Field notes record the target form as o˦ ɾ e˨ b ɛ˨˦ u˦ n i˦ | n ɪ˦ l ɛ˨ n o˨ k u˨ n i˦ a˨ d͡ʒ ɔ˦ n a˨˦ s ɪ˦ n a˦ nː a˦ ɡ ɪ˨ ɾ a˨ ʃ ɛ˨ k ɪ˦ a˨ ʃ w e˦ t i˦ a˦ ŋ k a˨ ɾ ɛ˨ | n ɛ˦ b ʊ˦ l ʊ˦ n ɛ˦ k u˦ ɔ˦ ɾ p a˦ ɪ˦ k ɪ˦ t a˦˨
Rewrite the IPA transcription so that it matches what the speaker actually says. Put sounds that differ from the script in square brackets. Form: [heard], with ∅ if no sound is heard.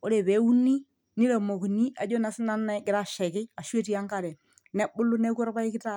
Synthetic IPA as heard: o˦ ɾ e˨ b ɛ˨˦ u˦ n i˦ | n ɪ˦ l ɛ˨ [m] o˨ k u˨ n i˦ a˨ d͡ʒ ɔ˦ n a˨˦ s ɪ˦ n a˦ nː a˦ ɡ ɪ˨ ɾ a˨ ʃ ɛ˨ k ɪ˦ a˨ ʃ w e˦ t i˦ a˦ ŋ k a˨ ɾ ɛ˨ | n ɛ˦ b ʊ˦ l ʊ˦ n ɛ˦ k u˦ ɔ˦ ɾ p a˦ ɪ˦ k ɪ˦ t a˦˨